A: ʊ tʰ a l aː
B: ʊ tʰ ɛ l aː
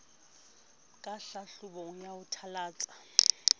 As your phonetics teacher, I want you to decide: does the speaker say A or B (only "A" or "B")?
A